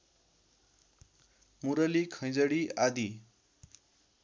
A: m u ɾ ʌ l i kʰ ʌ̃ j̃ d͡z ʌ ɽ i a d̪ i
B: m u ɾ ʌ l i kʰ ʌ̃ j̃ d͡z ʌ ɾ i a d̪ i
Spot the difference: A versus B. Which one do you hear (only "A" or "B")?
A